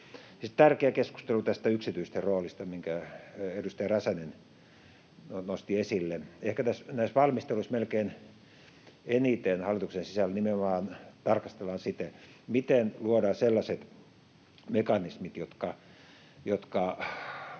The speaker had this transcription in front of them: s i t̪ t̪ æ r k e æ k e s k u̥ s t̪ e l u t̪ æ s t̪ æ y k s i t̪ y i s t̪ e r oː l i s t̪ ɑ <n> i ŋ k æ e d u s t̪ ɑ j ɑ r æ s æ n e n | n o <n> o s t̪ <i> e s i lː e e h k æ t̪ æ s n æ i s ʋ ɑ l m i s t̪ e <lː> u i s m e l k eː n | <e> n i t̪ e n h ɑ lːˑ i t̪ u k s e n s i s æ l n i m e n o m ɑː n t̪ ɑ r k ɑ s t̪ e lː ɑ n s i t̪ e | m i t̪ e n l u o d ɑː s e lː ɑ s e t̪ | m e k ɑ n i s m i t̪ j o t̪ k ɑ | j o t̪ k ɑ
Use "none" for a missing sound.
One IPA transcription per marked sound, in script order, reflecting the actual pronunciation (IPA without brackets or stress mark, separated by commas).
m, n, i, l, e